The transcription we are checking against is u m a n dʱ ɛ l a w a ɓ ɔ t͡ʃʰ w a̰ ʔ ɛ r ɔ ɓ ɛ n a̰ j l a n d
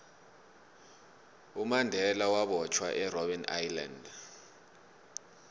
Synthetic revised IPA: u m a n dʱ ɛ l a w a ɓ ɔ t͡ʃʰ w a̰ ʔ ɛ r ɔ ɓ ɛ n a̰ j l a n d